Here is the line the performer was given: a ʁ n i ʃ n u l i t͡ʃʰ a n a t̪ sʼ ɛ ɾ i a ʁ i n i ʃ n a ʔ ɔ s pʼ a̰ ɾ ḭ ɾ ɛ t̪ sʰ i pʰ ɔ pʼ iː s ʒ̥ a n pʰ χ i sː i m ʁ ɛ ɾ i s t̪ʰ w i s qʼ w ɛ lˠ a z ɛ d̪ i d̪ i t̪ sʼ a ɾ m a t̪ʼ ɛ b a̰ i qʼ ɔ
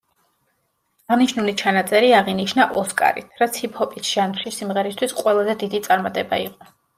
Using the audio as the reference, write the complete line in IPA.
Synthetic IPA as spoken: a ʁ n i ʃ n u l i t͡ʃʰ a n a t̪ sʼ ɛ ɾ i a ʁ i n i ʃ n a ʔ ɔ s kʼ a̰ ɾ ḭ ɾ a t̪ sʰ i pʰ ɔ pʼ i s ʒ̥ a n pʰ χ i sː i m ʁ ɛ ɾ i s t̪ʰ w i s qʼ w ɛ lˠ a z ɛ d̪ i d̪ i t̪ sʼ a ɾ m a t̪ʼ ɛ b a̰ i qʼ ɔ